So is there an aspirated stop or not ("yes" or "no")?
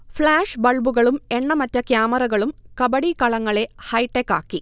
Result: no